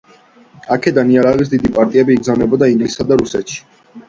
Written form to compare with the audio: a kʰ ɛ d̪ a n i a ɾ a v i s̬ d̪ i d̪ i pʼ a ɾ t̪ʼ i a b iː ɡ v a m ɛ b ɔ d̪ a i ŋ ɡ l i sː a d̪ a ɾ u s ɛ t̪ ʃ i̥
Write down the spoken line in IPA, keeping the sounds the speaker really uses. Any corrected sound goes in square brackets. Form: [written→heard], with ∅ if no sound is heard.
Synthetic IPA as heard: a kʰ ɛ d̪ a n i a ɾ a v i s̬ d̪ i d̪ i pʼ a ɾ t̪ʼ i [a→ɛ] b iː ɡ [v→z] a m ɛ b ɔ d̪ a i ŋ ɡ l i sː a d̪ a ɾ u s ɛ t̪ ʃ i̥